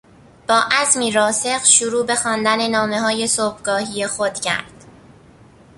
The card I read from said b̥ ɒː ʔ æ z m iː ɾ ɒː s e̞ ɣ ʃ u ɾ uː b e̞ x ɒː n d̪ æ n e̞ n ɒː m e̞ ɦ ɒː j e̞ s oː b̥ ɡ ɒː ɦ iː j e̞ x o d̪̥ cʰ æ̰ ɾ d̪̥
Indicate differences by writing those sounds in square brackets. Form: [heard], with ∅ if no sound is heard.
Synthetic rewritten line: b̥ ɒː ʔ æ z m iː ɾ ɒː s e̞ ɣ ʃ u ɾ uː b e̞ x ɒː n d̪ æ n e̞ n ɒː m e̞ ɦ ɒː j e̞ s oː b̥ ɡ ɒː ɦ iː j e̞ x o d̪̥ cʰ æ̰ ɾ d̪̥